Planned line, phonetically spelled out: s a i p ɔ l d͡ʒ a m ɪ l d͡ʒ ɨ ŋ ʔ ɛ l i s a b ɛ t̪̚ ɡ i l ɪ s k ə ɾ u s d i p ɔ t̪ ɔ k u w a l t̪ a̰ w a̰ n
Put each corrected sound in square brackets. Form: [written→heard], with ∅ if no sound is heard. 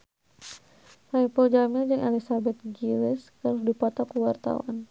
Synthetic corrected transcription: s a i p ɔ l d͡ʒ a m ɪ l d͡ʒ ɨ ŋ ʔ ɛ l i s a b ɛ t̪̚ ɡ i l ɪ s k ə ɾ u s d i p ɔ t̪ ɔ k u w a [l→r] t̪ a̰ w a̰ n